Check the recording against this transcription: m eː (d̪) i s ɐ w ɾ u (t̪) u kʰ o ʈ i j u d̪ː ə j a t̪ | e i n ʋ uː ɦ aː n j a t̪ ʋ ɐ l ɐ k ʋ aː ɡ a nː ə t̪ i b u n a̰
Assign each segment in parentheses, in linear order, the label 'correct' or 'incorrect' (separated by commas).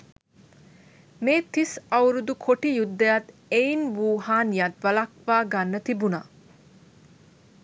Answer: incorrect, incorrect